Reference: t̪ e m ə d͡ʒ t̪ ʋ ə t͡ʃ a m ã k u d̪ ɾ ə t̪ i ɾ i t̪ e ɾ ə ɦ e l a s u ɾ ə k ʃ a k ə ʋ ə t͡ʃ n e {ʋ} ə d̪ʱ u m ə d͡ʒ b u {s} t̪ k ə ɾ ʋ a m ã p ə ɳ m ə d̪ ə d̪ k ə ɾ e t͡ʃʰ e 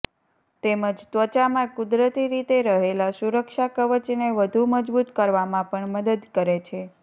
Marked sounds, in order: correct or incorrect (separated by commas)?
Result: correct, incorrect